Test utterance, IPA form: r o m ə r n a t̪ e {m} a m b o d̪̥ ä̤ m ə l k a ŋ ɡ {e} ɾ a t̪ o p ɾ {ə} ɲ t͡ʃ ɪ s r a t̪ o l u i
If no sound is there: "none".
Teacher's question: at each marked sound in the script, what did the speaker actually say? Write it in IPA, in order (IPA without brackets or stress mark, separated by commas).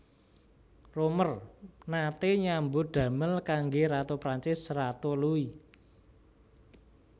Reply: ɲ, e, a